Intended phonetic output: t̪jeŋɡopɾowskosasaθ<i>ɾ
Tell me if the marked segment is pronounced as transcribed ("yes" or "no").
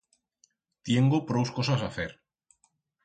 no